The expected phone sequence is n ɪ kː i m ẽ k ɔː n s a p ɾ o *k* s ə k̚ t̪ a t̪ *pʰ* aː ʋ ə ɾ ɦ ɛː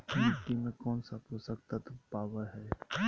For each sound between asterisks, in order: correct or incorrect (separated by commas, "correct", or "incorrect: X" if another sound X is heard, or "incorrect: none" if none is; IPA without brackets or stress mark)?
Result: incorrect: none, incorrect: p